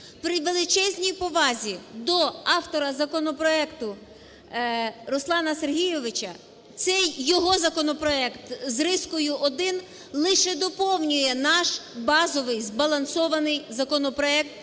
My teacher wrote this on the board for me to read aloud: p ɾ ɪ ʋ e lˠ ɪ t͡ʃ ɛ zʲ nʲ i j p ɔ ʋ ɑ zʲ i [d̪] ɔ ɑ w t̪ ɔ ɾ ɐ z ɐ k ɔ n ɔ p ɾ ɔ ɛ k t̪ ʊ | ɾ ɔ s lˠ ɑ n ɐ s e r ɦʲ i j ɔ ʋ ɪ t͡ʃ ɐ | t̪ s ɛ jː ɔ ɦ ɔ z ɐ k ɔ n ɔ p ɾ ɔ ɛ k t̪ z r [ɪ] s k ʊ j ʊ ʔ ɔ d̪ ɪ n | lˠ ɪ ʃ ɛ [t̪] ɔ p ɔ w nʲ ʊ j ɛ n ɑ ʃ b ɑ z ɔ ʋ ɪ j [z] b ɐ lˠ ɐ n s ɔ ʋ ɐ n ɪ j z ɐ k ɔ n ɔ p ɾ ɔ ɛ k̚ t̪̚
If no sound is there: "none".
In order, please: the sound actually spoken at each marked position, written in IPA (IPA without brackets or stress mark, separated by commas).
d̪, ɪ, d̪, z